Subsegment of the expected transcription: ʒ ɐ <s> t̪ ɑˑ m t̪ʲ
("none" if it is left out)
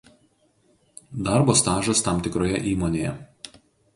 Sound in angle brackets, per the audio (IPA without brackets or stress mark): s